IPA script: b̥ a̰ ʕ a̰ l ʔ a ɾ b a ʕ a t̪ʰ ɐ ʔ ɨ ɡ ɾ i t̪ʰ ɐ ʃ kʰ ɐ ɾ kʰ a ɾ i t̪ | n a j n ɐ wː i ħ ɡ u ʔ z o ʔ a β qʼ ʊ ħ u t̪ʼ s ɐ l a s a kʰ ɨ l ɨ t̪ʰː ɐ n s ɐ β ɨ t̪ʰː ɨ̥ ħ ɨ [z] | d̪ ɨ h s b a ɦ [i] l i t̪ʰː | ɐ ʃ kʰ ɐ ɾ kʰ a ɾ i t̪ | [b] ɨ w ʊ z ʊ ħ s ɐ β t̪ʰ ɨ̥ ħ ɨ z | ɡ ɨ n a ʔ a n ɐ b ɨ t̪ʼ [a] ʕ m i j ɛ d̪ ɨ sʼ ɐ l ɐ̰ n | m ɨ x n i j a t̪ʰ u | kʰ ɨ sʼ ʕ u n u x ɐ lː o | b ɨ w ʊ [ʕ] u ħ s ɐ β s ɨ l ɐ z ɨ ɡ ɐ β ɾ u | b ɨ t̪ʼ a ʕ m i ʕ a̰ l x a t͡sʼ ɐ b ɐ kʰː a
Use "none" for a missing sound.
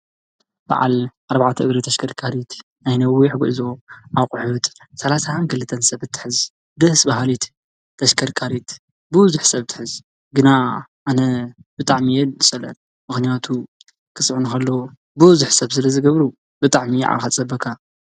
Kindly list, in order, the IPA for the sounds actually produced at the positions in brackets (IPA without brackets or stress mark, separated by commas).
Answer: z, a, b, a, z